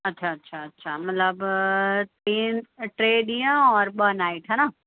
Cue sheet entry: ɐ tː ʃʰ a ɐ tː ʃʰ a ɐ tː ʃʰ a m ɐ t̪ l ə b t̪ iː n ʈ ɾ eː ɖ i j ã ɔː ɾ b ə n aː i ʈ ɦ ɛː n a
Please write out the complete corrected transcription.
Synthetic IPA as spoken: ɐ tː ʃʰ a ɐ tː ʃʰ a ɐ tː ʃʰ a m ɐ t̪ l ə b t̪ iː n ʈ ɾ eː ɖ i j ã ɔː ɾ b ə n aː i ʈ ɦ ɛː n a